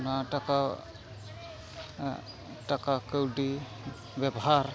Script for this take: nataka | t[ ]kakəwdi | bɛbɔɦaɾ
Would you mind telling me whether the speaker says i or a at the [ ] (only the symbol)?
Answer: a